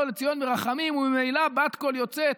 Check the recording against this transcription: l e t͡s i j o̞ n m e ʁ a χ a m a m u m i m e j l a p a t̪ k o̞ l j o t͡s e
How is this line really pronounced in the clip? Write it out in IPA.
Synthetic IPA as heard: l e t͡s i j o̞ n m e ʁ a χ a m i m u m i m e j l a b a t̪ k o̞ l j o t͡s e